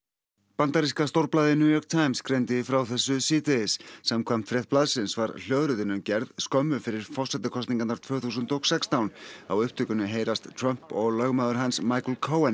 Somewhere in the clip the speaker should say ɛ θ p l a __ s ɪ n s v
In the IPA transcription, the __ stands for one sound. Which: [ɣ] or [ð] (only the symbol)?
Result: ð